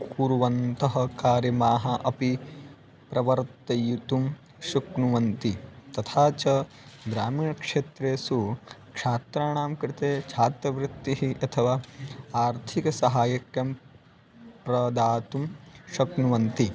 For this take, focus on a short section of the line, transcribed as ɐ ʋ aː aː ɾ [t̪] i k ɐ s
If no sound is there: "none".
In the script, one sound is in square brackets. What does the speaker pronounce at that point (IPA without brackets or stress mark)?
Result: t̪ʰ